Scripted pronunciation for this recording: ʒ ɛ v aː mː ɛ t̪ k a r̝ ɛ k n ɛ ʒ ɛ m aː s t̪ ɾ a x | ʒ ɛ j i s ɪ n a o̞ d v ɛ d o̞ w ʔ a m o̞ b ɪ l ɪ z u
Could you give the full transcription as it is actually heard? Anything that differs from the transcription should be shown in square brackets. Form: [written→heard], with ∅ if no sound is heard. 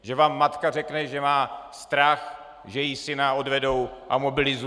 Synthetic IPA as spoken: ʒ ɛ v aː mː [ɛ→a] t̪ k a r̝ ɛ k n ɛ ʒ ɛ m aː s t̪ ɾ a x | ʒ ɛ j i s ɪ n a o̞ d v ɛ d o̞ w ʔ a m o̞ b ɪ l ɪ z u